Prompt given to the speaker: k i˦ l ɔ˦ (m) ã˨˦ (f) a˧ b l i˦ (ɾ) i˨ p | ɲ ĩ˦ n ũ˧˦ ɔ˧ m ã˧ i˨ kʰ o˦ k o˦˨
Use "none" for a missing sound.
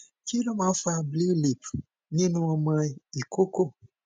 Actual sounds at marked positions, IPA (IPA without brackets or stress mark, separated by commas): m, f, l